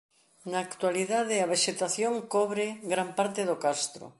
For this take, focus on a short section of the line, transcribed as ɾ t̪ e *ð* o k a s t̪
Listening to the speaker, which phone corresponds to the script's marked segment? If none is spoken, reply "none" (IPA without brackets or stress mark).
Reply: ð